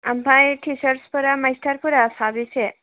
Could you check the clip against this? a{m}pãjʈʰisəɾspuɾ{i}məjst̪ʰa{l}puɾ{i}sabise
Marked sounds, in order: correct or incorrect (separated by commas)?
correct, incorrect, incorrect, incorrect